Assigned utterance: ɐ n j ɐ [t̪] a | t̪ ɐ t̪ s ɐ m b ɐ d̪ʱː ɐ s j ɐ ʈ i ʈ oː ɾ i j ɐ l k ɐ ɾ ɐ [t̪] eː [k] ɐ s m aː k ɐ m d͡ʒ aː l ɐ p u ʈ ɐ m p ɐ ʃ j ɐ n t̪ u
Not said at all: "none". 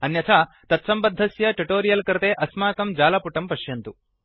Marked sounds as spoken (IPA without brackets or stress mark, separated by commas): t̪ʰ, t̪, ʔ